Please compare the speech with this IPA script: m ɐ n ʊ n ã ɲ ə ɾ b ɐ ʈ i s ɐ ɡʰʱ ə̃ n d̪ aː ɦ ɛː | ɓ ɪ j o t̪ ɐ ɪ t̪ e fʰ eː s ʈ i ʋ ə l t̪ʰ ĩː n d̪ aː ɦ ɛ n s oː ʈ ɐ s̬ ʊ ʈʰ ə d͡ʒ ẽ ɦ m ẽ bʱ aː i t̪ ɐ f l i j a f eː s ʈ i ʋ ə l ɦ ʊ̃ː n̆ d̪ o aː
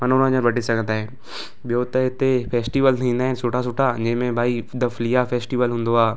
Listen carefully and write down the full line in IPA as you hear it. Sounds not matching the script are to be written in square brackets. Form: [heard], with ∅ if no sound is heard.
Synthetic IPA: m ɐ n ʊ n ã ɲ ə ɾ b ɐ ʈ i s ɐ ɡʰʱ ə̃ n d̪ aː ɦ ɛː | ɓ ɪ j o t̪ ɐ ɪ t̪ e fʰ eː s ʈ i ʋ ə l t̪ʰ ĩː n d̪ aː ɦ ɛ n s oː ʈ [a] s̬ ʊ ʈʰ [a] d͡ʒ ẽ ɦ m ẽ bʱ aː i [d̪] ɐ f l i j a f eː s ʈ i ʋ ə l ɦ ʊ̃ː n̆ d̪ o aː